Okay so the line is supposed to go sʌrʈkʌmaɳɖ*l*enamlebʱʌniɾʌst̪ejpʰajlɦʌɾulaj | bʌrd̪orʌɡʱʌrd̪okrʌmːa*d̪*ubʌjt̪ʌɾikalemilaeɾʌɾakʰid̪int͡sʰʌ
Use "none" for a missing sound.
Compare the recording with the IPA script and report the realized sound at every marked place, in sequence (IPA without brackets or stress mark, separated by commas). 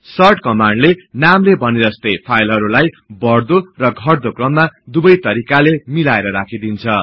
l, d̪